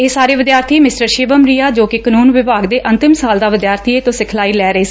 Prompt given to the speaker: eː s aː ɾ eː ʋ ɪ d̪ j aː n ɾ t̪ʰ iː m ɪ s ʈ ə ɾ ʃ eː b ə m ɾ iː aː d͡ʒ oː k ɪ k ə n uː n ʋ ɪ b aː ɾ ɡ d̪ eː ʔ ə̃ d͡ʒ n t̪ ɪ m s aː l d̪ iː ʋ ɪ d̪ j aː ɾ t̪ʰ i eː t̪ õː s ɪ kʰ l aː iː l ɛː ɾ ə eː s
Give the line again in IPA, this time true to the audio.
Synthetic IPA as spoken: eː s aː ɾ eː ʋ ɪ d̪ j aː ɾ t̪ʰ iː m ɪ s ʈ ə ɾ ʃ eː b ə m ɾ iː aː d͡ʒ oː k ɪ k ə n uː n ʋ ɪ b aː ɡ d̪ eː ʔ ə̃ n t̪ ɪ m s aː l d̪ aː ʋ ɪ d̪ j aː ɾ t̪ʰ i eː t̪ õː s ɪ kʰ l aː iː l ɛː ɾ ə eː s